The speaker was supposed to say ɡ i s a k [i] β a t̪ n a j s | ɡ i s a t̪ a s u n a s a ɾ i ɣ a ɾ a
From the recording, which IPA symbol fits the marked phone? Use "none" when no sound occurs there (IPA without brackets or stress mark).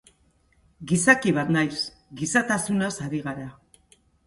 i